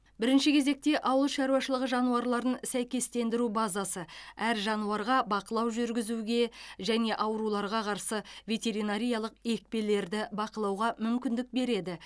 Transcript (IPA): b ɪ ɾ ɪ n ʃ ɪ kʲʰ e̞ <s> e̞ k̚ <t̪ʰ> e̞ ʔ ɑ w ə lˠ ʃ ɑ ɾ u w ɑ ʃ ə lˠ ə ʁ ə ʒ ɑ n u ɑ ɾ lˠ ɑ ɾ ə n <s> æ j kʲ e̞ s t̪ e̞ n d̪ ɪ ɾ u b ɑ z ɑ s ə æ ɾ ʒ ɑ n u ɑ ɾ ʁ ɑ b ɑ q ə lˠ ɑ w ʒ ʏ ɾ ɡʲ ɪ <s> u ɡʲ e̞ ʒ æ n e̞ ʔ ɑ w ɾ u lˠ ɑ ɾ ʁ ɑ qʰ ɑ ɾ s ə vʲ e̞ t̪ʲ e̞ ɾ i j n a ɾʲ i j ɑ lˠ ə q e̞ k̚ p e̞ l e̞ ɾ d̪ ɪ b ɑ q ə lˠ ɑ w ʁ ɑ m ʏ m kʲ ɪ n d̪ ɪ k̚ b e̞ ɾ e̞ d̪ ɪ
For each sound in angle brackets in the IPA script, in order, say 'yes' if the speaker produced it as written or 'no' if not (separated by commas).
no, no, yes, no